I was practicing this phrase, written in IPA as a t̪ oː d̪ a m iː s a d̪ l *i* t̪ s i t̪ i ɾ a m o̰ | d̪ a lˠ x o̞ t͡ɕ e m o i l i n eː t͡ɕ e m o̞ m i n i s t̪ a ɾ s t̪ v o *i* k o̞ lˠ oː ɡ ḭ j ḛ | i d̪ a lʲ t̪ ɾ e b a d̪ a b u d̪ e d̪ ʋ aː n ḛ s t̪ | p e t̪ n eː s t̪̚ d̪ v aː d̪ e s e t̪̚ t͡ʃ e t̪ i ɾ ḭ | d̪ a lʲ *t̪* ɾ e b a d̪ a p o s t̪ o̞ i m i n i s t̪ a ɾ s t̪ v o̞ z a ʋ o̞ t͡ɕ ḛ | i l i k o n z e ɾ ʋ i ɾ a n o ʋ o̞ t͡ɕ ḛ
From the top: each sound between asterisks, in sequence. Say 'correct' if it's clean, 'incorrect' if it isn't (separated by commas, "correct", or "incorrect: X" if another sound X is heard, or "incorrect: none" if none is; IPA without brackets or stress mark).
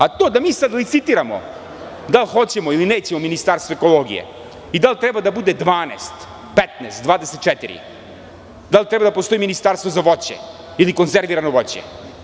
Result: correct, incorrect: e, correct